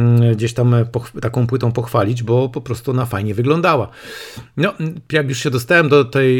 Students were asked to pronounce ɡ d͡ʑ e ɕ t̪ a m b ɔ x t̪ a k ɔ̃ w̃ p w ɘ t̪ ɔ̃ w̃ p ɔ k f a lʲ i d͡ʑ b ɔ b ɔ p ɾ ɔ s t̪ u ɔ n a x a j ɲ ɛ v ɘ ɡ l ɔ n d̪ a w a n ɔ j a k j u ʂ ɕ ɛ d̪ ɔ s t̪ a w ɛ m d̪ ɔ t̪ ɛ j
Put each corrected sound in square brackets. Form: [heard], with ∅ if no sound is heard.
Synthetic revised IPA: ɡ d͡ʑ e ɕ t̪ a m [p] ɔ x t̪ a k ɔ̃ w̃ p w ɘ t̪ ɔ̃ w̃ p ɔ [x] f a lʲ i d͡ʑ b ɔ [p] ɔ p ɾ ɔ s t̪ u ɔ n a [f] a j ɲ ɛ v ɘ ɡ l ɔ n d̪ a w a n ɔ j a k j u ʂ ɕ ɛ d̪ ɔ s t̪ a w ɛ m d̪ ɔ t̪ ɛ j